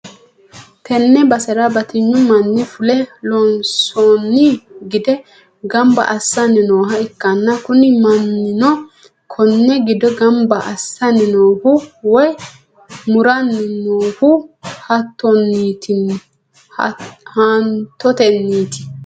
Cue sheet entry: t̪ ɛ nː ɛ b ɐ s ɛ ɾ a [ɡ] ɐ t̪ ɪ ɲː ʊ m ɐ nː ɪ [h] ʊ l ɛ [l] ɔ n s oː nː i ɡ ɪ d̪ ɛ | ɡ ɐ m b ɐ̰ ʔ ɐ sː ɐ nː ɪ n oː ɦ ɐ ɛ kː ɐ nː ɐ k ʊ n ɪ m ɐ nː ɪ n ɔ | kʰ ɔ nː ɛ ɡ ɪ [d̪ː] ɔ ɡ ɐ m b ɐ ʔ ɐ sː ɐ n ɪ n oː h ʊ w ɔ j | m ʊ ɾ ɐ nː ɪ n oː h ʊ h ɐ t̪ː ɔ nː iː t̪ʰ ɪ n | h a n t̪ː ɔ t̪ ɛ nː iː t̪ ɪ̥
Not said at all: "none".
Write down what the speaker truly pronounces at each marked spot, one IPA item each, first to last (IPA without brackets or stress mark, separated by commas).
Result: b, f, l, d̪